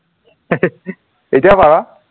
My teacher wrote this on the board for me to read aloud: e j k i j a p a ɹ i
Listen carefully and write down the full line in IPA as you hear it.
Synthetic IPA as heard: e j t i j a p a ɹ a